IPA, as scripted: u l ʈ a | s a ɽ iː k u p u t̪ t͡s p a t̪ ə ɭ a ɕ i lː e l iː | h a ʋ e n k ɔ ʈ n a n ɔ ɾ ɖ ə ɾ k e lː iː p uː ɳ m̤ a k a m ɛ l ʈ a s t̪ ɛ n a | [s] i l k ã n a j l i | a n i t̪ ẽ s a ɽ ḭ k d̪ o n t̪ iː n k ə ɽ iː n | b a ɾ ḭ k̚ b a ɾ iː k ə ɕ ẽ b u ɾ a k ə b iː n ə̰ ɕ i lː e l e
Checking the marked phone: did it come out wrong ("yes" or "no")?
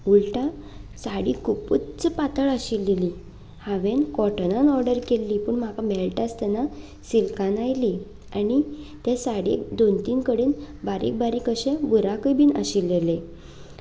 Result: no